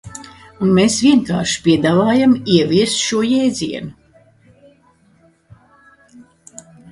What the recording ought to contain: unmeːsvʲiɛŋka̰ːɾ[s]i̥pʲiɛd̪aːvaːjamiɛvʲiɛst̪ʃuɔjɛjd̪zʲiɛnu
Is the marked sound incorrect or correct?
incorrect